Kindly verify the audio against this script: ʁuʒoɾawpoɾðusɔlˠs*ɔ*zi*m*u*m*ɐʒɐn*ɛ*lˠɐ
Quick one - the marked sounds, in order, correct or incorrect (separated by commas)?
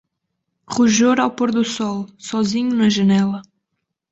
correct, incorrect, incorrect, correct